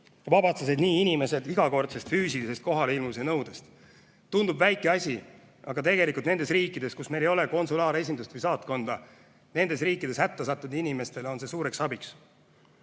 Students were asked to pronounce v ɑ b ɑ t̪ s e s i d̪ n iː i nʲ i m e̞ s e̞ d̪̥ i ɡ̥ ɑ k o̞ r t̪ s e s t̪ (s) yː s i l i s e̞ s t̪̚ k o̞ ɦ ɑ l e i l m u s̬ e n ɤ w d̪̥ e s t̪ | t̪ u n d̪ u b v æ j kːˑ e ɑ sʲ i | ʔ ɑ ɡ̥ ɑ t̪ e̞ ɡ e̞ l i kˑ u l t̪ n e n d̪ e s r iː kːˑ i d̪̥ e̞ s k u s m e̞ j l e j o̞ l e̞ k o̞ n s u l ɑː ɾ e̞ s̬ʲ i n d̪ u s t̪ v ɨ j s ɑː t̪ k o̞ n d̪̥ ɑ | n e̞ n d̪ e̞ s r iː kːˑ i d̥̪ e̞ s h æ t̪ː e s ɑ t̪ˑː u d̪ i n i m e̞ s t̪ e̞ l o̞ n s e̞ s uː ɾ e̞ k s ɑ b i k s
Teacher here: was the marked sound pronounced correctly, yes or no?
no